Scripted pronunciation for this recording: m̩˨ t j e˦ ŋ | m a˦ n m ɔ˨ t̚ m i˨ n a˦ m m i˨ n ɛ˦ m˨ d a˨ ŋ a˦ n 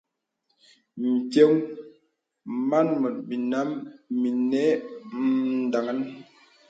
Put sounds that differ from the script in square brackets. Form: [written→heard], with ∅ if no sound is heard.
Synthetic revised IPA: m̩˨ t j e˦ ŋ | m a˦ n m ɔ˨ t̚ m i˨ n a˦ m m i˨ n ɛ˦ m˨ d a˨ ŋ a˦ n